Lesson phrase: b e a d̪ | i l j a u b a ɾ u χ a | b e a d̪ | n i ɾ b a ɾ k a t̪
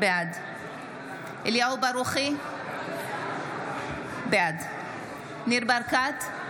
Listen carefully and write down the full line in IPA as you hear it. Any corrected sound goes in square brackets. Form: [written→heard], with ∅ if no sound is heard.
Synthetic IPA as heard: b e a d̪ | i l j a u b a ɾ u χ [a→i] | b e a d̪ | n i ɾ b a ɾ k a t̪